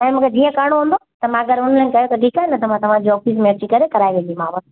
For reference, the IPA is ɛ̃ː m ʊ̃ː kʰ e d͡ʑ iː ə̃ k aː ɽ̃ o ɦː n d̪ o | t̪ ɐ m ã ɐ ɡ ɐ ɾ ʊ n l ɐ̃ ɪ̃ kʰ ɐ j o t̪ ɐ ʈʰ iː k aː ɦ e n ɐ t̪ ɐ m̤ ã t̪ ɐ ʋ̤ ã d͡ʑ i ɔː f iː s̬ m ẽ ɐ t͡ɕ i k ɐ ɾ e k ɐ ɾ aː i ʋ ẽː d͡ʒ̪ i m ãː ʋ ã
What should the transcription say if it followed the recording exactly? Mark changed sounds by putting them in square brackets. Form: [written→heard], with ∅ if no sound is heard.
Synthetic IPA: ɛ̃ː m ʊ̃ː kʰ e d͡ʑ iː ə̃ k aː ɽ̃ o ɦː n d̪ o | t̪ ɐ m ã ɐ ɡ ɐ ɾ ʊ n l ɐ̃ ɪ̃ [kʰ→k] ɐ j o t̪ ɐ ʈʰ iː k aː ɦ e n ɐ t̪ ɐ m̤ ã t̪ ɐ ʋ̤ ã d͡ʑ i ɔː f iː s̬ m ẽ ɐ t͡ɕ i k ɐ ɾ e k ɐ ɾ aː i ʋ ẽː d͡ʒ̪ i m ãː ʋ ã

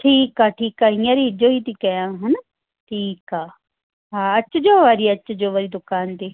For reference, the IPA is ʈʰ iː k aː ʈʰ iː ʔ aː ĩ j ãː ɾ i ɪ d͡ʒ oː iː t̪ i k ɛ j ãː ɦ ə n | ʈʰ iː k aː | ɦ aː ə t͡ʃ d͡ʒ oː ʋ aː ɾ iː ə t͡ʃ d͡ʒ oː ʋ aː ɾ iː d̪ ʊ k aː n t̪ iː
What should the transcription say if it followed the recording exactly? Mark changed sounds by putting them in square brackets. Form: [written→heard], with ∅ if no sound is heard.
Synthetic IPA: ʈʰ iː k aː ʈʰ iː [ʔ→k] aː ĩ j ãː ɾ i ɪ d͡ʒ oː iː t̪ i k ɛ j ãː ɦ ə n | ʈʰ iː k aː | ɦ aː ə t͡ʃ d͡ʒ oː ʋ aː ɾ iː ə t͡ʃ d͡ʒ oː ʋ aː ɾ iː d̪ ʊ k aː n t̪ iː

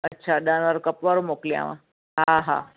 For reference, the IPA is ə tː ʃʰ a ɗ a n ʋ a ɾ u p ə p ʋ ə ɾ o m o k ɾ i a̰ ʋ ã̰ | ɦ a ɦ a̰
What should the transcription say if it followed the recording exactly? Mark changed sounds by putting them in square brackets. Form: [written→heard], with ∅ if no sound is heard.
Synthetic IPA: ə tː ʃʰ a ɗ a n ʋ a ɾ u [p→k] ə p ʋ [ə→a] ɾ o m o k [ɾ→l] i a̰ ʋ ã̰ | ɦ a ɦ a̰

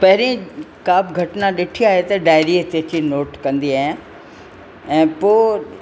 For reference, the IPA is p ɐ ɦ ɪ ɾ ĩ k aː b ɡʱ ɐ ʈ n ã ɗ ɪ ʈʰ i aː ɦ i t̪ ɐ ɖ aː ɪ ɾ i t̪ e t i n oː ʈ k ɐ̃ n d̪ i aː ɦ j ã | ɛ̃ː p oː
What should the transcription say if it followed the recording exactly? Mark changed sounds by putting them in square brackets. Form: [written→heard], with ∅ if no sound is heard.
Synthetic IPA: p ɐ ɦ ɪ ɾ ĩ k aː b ɡʱ ɐ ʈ n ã ɗ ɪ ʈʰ i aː ɦ [i→e] t̪ ɐ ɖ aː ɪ ɾ i t̪ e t i n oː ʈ k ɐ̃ n d̪ i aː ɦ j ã | ɛ̃ː p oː

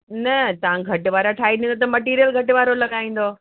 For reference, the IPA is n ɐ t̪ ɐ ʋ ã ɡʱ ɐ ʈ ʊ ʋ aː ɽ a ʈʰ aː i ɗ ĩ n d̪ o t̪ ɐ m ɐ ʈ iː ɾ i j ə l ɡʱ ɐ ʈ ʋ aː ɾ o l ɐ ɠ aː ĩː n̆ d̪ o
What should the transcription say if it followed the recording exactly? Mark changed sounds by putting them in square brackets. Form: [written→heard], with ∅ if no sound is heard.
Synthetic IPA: n ɐ t̪ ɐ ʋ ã ɡʱ ɐ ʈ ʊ ʋ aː [ɽ→ɾ] a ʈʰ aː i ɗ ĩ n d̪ o t̪ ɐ m ɐ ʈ iː ɾ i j ə l ɡʱ ɐ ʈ ʋ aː ɾ o l ɐ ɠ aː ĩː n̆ d̪ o

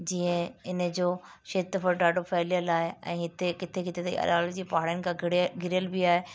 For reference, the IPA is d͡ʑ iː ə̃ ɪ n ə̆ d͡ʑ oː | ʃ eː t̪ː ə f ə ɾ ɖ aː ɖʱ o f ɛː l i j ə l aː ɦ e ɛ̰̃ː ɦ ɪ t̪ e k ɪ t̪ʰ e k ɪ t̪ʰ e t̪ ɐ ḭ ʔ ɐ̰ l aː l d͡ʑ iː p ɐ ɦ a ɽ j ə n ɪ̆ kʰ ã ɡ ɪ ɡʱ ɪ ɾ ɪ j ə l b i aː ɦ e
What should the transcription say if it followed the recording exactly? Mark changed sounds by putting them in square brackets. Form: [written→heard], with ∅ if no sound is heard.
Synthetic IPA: d͡ʑ iː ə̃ ɪ n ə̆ d͡ʑ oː | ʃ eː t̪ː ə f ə ɾ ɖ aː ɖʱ o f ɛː l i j ə l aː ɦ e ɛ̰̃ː ɦ ɪ t̪ e k ɪ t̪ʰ e k ɪ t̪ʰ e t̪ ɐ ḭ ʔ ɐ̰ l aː l d͡ʑ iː p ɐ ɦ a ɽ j ə n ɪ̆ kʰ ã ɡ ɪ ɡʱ ɪ ɾ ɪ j ə l b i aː ɦ e

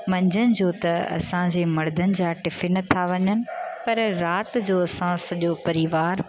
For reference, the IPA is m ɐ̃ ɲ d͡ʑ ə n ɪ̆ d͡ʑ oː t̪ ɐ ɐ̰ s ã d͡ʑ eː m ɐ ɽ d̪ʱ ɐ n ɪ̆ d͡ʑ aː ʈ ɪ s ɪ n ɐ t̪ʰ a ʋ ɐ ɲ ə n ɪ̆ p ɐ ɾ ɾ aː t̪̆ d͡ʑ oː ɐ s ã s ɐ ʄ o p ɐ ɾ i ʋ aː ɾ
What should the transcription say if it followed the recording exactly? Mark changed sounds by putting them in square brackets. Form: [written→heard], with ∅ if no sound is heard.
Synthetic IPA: m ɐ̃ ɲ d͡ʑ ə n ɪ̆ d͡ʑ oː t̪ ɐ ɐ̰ s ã d͡ʑ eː m ɐ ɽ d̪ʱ [ɐ→ə] n ɪ̆ d͡ʑ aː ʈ ɪ [s→f] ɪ n ɐ t̪ʰ a ʋ ɐ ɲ ə n ɪ̆ p ɐ ɾ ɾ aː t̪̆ d͡ʑ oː ɐ s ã s ɐ ʄ o p ɐ ɾ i ʋ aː ɾ

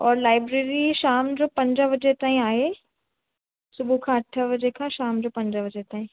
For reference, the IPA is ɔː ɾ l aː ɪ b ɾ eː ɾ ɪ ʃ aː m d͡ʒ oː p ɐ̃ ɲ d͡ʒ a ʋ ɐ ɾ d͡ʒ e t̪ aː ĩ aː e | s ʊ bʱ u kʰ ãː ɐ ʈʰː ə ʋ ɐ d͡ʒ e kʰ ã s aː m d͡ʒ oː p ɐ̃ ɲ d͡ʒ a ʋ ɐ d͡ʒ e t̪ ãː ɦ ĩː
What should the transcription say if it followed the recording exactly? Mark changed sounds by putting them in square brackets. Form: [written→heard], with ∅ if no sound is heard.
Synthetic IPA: ɔː ɾ l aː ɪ b ɾ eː ɾ [ɪ→i] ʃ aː m d͡ʒ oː p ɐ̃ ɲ d͡ʒ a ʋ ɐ [ɾ→∅] d͡ʒ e t̪ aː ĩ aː e | s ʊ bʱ u kʰ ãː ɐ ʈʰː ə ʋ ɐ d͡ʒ e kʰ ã [s→ʃ] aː m d͡ʒ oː p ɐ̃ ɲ d͡ʒ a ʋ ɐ d͡ʒ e t̪ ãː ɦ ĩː

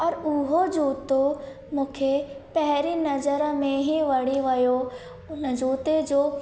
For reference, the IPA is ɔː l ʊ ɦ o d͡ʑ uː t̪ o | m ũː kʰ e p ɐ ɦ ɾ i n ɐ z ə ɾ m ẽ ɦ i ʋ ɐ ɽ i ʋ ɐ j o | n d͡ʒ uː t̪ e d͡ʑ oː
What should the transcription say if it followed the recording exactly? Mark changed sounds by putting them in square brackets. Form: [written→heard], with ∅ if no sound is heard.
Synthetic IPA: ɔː [l→ɾ] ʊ ɦ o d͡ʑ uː t̪ o | m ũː kʰ e p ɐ ɦ ɾ i n ɐ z ə ɾ m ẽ ɦ i ʋ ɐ ɽ i ʋ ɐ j o | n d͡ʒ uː t̪ e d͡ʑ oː

